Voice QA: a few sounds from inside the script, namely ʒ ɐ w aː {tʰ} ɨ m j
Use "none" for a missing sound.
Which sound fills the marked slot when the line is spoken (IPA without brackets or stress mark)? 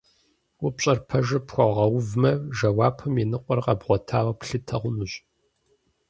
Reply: pʰ